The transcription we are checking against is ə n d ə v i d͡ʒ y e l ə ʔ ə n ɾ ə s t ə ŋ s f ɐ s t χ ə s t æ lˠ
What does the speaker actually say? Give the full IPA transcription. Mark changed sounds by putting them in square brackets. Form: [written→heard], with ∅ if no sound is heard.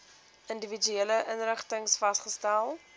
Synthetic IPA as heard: ə n d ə v i d͡ʒ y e l ə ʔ ə n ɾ ə [s→χ] t ə ŋ s f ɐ s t χ ə s t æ lˠ